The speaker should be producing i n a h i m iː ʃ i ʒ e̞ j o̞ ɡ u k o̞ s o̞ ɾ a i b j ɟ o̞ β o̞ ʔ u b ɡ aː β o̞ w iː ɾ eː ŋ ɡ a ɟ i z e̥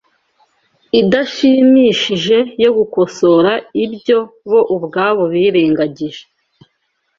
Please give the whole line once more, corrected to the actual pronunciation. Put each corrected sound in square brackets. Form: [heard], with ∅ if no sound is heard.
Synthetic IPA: i [d] a [ʃ] i m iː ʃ i ʒ e̞ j o̞ ɡ u k o̞ s o̞ ɾ a i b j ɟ o̞ β o̞ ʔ u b ɡ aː β o̞ [β] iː ɾ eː ŋ ɡ a ɟ i [ʒ] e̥

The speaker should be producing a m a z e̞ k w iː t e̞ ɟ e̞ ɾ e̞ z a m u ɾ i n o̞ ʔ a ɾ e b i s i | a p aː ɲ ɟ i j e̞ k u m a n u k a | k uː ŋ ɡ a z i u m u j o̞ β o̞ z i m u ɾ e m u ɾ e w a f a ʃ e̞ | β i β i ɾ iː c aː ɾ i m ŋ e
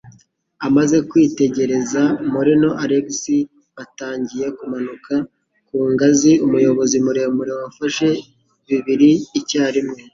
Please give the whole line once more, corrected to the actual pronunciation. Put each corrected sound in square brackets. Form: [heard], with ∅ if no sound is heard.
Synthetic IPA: a m a z e̞ k w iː t e̞ ɟ e̞ ɾ e̞ z a m u ɾ i n o̞ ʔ a ɾ e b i s i | a [t] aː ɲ ɟ i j e̞ k u m a n u k a | k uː ŋ ɡ a z i u m u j o̞ β o̞ z i m u ɾ e m u ɾ e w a f a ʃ e̞ | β i β i ɾ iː c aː ɾ i m ŋ e

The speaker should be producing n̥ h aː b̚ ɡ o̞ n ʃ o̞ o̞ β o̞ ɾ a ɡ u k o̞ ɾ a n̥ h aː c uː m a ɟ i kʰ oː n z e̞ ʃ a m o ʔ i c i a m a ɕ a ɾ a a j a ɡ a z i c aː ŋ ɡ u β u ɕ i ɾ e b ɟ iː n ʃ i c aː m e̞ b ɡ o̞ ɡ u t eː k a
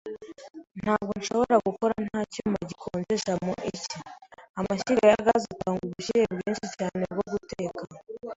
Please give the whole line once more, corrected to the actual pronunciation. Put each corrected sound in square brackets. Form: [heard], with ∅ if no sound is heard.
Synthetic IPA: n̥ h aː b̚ ɡ o̞ n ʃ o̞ o̞ β o̞ ɾ a ɡ u k o̞ ɾ a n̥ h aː c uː m a ɟ i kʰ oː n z e̞ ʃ a m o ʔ i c i a m a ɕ [i] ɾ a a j a ɡ a z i [t] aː ŋ ɡ u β u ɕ i ɾ e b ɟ iː n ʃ i c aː [n] e̞ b ɡ o̞ ɡ u t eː k a

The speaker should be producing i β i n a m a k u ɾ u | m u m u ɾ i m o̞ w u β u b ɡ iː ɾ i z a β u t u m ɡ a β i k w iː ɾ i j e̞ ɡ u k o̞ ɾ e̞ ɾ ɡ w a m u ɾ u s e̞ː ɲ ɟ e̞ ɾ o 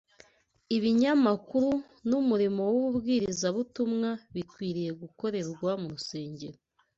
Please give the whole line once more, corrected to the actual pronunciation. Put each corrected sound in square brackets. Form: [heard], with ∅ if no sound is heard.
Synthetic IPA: i β i [ɲ] a m a k u ɾ u | [n] u m u ɾ i m o̞ w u β u b ɡ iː ɾ i z a β u t u m [ŋ] a β i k w iː ɾ i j e̞ ɡ u k o̞ ɾ e̞ ɾ ɡ w a m u ɾ u s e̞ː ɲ ɟ e̞ ɾ o

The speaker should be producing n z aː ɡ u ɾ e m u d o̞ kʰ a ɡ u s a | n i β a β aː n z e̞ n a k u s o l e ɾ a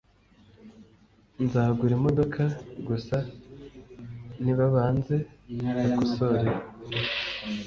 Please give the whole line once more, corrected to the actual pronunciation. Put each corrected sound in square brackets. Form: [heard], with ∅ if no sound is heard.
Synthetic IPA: n z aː ɡ u ɾ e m [o] d o̞ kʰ a ɡ u s a | n i β a β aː n z e̞ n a k u s o [ɾ] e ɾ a

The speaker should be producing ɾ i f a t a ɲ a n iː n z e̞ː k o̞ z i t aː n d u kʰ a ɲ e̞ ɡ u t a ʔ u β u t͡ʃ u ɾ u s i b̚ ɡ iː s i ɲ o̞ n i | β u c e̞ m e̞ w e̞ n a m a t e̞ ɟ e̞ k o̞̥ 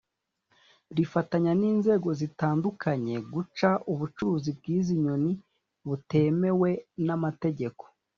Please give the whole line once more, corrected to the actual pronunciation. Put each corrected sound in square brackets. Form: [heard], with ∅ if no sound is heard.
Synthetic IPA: ɾ i f a t a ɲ a n iː n z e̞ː [ɡ] o̞ z i t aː n d u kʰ a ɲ e̞ ɡ u [t͡ʃ] a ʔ u β u t͡ʃ u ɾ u [z] i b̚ ɡ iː [z] i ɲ o̞ n i | β u [t] e̞ m e̞ w e̞ n a m a t e̞ ɟ e̞ k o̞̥

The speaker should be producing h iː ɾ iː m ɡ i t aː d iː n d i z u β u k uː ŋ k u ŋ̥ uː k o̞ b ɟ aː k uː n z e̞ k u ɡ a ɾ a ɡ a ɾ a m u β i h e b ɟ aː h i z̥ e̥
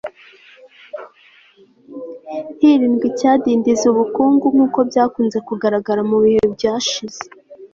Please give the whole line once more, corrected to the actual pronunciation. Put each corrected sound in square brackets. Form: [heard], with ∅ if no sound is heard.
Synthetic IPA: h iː ɾ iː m ɡ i [c] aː d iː n d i z u β u k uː ŋ [ɡ] u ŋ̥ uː k o̞ b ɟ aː k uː n z e̞ k u ɡ a ɾ a ɡ a ɾ a m u β i h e b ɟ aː [ʃ] i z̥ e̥

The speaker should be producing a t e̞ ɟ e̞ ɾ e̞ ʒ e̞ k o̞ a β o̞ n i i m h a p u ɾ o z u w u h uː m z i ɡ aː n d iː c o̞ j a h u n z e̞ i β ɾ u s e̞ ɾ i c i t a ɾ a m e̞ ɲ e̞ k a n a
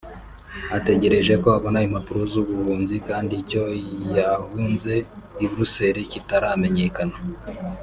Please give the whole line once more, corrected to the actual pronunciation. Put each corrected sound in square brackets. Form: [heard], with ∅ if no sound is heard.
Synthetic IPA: a t e̞ ɟ e̞ ɾ e̞ ʒ e̞ k o̞ a β o̞ n [a] i m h a p u ɾ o z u [β] u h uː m z i [k] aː n d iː c o̞ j a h u n z e̞ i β ɾ u s e̞ ɾ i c i t a ɾ a m e̞ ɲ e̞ k a n a

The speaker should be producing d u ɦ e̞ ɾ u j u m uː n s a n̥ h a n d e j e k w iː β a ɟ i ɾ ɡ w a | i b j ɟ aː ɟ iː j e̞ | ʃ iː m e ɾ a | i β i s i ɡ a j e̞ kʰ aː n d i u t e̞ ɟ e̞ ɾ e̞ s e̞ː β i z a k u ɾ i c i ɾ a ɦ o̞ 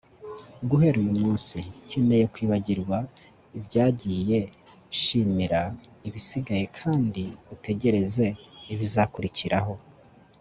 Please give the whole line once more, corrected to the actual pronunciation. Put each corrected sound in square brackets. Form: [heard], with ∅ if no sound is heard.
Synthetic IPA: [ɡ] u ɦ e̞ ɾ u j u m uː n s [i] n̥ h [e] n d e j e k w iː β a ɟ i ɾ ɡ w a | i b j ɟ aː ɟ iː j e̞ | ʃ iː m [i] ɾ a | i β i s i ɡ a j e̞ kʰ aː n d i u t e̞ ɟ e̞ ɾ e̞ [z] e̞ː β i z a k u ɾ i c i ɾ a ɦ o̞

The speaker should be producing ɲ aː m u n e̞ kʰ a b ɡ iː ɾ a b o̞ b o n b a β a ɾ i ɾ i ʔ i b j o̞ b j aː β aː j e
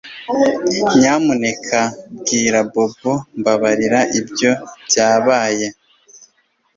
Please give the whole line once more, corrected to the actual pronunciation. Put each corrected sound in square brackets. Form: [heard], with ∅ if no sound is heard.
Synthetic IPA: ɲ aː m u n e̞ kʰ a b ɡ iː ɾ a b o̞ b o [m] b a β a ɾ i ɾ [a] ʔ i b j o̞ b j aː β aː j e

